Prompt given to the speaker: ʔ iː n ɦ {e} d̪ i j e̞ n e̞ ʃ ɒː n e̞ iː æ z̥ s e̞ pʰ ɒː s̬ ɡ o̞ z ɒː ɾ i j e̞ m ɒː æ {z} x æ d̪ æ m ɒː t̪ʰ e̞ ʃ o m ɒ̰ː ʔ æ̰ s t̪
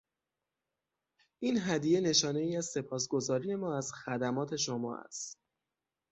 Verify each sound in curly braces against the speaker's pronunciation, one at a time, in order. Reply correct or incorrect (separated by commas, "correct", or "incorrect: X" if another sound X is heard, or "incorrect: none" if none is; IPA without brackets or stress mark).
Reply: incorrect: æ, correct